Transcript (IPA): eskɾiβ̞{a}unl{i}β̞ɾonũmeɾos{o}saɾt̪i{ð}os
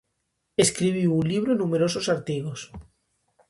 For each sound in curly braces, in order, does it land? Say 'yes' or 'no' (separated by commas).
no, yes, yes, no